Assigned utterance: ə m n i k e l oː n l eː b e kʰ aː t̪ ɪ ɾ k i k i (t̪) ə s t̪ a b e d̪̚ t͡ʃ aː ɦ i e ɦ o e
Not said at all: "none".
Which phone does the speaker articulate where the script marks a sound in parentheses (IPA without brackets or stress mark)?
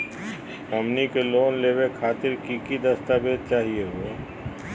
d̪